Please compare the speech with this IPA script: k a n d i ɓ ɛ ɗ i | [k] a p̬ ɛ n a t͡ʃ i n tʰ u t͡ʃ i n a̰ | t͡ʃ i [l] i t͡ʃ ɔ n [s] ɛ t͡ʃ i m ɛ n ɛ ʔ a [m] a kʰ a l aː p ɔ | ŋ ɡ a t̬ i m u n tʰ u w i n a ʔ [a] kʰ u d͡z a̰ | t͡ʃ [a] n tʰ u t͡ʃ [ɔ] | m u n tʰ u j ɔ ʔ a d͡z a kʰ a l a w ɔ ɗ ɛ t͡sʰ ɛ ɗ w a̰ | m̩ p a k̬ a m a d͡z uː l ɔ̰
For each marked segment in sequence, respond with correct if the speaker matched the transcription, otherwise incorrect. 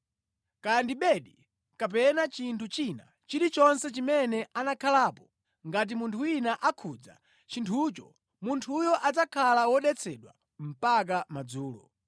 correct, incorrect, correct, incorrect, correct, incorrect, correct

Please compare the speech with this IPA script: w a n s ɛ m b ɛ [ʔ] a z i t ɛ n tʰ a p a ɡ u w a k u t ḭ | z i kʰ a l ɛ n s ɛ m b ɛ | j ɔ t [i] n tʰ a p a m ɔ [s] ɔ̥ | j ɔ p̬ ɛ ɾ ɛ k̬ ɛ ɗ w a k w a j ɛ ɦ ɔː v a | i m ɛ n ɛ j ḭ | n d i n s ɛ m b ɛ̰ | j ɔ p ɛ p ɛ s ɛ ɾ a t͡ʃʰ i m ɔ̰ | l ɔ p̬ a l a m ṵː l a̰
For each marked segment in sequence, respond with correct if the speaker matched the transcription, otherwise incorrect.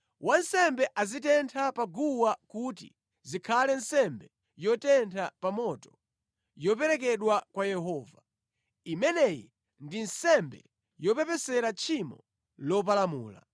correct, incorrect, incorrect

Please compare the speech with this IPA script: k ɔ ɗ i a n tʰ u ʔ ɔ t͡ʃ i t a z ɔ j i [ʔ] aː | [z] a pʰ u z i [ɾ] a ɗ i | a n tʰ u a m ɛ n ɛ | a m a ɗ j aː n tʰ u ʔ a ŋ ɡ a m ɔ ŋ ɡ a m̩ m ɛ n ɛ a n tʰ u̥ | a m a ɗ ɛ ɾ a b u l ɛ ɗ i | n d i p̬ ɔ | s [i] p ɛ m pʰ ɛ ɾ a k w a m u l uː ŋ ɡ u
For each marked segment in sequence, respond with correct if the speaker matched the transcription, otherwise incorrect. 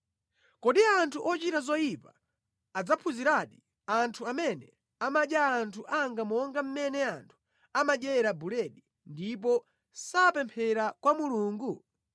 incorrect, incorrect, correct, incorrect

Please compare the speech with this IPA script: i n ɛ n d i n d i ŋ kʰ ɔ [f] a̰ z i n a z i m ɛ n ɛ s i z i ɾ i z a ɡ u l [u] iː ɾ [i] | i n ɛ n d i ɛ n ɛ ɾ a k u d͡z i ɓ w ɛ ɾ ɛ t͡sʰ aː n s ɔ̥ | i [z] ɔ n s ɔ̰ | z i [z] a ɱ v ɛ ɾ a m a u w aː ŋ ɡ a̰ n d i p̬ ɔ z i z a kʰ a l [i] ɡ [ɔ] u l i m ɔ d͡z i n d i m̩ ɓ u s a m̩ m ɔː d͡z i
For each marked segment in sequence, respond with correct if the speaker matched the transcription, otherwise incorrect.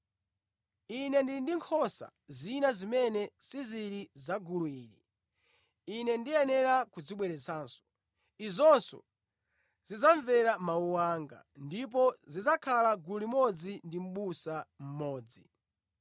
incorrect, correct, correct, correct, correct, incorrect, incorrect

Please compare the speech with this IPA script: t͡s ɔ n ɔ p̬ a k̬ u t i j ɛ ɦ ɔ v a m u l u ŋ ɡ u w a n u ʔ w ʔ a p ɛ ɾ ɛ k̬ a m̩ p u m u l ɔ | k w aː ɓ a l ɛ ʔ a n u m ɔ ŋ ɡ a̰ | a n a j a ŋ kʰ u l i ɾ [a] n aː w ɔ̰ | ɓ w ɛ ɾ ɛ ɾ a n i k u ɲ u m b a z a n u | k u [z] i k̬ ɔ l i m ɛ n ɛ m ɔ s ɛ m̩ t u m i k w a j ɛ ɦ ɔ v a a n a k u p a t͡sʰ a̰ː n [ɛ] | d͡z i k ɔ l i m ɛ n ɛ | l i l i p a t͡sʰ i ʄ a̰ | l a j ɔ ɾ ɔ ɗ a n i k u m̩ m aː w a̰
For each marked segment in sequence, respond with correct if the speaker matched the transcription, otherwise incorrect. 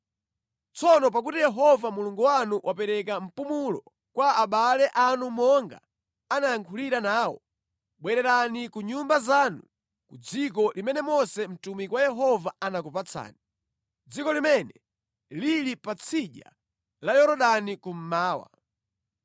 correct, incorrect, incorrect

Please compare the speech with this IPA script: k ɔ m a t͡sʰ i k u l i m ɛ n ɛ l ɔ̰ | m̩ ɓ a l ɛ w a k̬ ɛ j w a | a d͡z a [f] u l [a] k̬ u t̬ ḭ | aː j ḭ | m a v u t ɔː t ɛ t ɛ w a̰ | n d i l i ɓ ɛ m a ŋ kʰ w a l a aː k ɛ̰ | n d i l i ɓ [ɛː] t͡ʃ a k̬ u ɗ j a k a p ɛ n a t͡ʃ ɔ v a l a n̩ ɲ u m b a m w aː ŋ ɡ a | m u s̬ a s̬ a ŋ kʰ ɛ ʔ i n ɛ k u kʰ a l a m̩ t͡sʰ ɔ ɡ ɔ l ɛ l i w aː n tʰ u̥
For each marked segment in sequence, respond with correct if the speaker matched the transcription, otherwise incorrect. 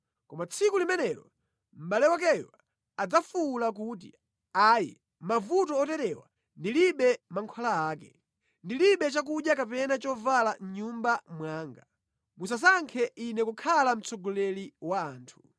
correct, correct, incorrect

